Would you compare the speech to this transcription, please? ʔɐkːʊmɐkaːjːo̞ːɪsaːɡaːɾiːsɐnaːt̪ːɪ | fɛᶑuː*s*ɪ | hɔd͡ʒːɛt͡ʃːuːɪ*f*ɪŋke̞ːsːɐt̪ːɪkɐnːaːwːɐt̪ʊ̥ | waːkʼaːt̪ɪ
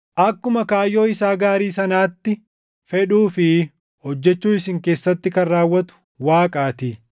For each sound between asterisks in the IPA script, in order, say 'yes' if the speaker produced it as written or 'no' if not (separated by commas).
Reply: no, no